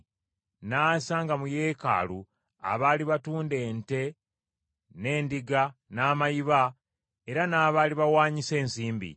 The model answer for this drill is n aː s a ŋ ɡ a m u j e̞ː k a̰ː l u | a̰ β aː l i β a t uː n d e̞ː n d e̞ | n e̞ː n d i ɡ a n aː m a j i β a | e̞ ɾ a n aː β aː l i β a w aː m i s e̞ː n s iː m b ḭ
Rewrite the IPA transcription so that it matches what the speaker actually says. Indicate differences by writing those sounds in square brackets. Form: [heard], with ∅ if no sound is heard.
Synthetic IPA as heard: n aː s a ŋ ɡ a m u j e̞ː k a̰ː l u | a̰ β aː l i β a t uː n d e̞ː n [t] e̞ | n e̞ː n d i ɡ a n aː m a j i β a | e̞ ɾ a n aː β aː l i β a w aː [ɲ] i s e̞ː n s iː m b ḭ